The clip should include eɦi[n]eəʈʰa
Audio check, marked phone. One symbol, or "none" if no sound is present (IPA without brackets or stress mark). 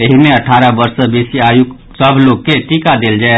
m